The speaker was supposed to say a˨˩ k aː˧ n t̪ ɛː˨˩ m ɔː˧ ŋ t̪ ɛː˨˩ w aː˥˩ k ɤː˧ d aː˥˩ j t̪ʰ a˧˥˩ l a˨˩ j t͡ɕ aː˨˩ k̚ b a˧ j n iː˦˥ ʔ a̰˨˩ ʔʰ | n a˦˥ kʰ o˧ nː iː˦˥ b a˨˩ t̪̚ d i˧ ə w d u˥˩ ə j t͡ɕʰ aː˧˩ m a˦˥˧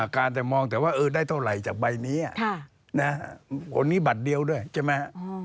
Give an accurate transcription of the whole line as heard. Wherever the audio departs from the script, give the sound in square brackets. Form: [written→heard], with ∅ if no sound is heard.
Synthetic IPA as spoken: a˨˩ k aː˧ n t̪ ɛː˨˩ m ɔː˧ ŋ t̪ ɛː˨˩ w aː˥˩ [k→ʔ] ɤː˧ d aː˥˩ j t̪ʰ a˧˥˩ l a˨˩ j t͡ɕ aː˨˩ k̚ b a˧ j n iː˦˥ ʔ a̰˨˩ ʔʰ | n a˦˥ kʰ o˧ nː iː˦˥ b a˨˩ t̪̚ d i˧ ə w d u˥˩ ə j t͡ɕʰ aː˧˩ m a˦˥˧